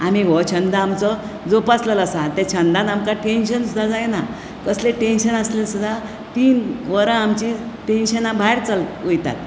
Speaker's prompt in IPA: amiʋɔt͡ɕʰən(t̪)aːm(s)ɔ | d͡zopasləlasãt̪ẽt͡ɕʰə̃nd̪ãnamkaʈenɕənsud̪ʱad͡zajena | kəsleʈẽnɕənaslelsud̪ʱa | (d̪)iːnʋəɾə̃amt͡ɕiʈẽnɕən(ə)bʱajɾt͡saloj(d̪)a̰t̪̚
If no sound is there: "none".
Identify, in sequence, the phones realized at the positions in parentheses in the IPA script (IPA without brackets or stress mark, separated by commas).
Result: d̪, t͡s, t̪, a, t̪